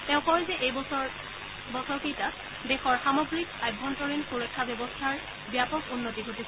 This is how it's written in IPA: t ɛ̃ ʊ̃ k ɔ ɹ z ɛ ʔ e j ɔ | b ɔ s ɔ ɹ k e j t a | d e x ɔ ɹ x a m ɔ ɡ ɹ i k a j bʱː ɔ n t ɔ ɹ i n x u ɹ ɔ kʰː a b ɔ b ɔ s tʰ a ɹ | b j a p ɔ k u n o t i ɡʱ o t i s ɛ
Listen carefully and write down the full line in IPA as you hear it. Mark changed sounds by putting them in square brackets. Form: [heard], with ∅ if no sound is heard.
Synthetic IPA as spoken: t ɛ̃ ʊ̃ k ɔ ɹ z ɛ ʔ e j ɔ | b ɔ s ɔ ɹ k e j t a | d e x ɔ ɹ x a m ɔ ɡ ɹ i k a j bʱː ɔ n t ɔ ɹ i n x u ɹ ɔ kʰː a b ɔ b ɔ s tʰ a ɹ | b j a p ɔ k u [nː] o t i ɡʱ o t i s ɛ

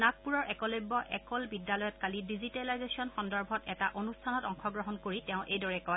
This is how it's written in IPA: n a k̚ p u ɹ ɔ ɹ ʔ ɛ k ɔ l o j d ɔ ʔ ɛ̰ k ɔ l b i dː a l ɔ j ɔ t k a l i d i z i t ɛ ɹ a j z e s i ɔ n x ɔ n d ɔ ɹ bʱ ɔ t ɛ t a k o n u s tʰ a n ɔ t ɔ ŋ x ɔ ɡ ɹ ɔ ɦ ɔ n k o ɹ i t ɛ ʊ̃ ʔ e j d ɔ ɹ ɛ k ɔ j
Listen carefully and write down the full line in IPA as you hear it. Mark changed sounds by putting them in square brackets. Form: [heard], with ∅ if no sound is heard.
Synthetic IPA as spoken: n a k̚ p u ɹ ɔ ɹ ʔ ɛ k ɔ l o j [b] ɔ ʔ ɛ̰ k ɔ l b i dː a l ɔ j ɔ t k a l i d i z i t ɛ [l] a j z e s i ɔ n x ɔ n d ɔ ɹ bʱ ɔ t ɛ t a [ʔ] o n u s tʰ a n ɔ t ɔ ŋ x ɔ ɡ ɹ ɔ ɦ ɔ n k o ɹ i t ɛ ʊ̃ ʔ e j d ɔ ɹ ɛ k ɔ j

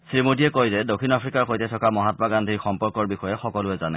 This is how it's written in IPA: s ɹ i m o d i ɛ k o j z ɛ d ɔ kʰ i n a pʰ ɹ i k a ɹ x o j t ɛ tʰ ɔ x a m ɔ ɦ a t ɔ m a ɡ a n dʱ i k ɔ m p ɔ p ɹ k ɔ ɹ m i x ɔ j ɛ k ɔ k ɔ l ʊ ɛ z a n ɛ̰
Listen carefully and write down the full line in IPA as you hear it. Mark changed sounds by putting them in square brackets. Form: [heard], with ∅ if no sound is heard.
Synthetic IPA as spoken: s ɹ i m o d i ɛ k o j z ɛ d [o] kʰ i n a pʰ ɹ i k a ɹ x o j t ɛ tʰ ɔ [k] a m ɔ ɦ a t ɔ m a ɡ a n dʱ i [x] ɔ m p ɔ [∅] ɹ k ɔ ɹ [b] i x ɔ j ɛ [x] ɔ k ɔ l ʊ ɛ z a n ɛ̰

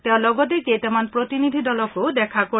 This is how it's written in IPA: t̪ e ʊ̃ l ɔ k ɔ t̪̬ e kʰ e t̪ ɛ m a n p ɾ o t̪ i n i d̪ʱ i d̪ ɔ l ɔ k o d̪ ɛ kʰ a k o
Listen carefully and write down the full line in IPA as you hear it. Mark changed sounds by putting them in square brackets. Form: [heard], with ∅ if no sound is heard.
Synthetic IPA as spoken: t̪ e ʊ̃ l ɔ [ɡ] ɔ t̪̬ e [k] e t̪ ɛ m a n p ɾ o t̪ i n i d̪ʱ i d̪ ɔ l ɔ k o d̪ ɛ kʰ a k o

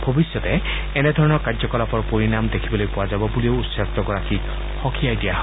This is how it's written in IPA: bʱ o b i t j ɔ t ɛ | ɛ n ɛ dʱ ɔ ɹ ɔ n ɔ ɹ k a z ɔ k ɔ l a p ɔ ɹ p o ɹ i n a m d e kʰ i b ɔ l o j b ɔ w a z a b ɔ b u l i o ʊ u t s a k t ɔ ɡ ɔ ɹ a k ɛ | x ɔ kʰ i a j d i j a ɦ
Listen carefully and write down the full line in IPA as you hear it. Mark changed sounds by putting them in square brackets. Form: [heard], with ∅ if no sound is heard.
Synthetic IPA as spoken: bʱ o b i [s] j ɔ t ɛ | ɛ n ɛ dʱ ɔ ɹ ɔ n ɔ ɹ k a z ɔ k ɔ l a p ɔ ɹ p o ɹ i n a m d e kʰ i b ɔ l o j [p] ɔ w a z a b ɔ b u l i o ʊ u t s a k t ɔ ɡ ɔ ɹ a k [i] | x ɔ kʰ i a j d i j a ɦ

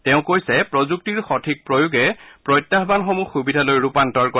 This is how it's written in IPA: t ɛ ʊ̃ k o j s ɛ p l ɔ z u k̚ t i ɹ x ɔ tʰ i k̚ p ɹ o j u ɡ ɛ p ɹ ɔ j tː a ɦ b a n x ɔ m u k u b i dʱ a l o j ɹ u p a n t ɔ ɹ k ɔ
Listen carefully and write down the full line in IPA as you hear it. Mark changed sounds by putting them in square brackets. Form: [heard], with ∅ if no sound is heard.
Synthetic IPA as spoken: t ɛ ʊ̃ k o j s ɛ p [ɹ] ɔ z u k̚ t i ɹ x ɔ tʰ i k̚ p ɹ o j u ɡ ɛ p ɹ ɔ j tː a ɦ b a n x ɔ m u [x] u b i dʱ a l o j ɹ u p a n t ɔ ɹ k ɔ

